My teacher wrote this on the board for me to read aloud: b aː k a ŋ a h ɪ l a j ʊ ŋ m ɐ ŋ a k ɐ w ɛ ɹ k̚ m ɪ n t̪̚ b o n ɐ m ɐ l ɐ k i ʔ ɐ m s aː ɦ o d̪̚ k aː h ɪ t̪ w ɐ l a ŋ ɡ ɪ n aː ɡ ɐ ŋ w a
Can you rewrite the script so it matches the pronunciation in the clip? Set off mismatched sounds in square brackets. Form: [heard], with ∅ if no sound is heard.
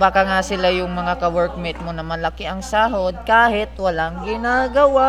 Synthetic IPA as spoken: b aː k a ŋ a [s] ɪ l a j ʊ ŋ m ɐ ŋ a k ɐ w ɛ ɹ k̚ m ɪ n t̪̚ [m] o n ɐ m ɐ l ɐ k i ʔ ɐ [ŋ] s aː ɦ o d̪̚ k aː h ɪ t̪ w ɐ l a ŋ ɡ ɪ n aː ɡ ɐ [∅] w a